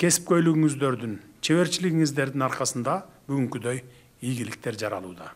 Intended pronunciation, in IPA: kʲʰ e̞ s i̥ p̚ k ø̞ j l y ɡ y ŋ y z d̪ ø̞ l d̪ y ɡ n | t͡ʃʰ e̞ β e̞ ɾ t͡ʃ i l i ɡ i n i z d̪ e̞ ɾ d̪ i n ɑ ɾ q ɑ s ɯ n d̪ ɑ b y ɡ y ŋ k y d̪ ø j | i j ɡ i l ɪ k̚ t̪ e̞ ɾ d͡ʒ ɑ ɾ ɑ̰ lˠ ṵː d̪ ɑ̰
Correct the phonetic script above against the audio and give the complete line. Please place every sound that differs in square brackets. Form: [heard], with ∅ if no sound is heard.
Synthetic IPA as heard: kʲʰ e̞ s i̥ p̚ k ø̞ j l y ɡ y ŋ y z d̪ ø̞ [ɾ] d̪ y [∅] n | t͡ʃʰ e̞ β e̞ ɾ t͡ʃ i l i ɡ i [ŋ] i z d̪ e̞ ɾ d̪ i n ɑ ɾ q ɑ s ɯ n d̪ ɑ b y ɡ y ŋ k y d̪ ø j | i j ɡ i l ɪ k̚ t̪ e̞ ɾ d͡ʒ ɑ ɾ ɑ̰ lˠ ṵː d̪ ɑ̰

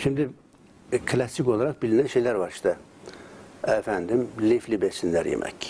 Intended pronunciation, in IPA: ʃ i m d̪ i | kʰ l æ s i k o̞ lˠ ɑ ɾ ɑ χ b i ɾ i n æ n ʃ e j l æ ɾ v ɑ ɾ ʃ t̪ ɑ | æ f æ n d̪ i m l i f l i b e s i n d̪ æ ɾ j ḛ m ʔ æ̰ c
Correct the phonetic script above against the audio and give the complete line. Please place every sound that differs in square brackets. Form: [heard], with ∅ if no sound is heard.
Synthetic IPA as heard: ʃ i m d̪ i | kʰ l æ s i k o̞ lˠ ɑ ɾ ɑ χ b i [l] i n æ n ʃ e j l æ ɾ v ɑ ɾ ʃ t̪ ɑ | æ f æ n d̪ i m l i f l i b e s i n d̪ æ ɾ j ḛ m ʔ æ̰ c

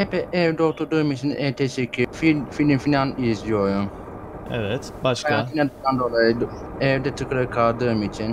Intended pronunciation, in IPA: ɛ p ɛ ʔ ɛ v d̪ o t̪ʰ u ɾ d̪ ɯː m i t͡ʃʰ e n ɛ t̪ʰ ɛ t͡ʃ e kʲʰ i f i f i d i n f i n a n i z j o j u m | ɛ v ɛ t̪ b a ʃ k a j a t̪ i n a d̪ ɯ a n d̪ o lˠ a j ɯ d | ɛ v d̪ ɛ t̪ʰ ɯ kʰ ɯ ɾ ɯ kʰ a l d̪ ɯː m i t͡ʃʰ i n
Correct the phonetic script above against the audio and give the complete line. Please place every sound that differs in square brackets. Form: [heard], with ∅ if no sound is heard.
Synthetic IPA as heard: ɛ p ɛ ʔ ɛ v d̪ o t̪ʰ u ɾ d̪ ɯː m i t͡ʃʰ [i] n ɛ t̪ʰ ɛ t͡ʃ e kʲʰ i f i f i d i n f i n a n i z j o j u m | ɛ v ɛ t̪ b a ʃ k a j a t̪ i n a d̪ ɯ a n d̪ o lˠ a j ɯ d | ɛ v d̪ ɛ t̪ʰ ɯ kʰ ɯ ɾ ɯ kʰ a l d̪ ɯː m i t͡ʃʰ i n

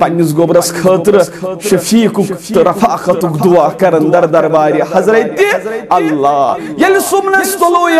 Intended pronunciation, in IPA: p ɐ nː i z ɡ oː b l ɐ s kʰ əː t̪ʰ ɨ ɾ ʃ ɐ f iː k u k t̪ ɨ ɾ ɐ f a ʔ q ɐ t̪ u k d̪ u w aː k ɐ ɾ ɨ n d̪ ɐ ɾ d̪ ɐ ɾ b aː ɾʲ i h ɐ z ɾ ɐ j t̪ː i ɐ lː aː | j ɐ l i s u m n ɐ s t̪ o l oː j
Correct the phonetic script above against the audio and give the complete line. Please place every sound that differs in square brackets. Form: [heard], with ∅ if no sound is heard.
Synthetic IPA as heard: p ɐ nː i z ɡ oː b [ɾ] ɐ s kʰ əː [t̪] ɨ ɾ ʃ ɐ f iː k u k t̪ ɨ ɾ ɐ f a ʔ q ɐ t̪ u k d̪ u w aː k ɐ ɾ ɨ n d̪ ɐ ɾ d̪ ɐ ɾ b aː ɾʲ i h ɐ z ɾ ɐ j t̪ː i ɐ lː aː | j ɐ l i s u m n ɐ s t̪ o l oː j

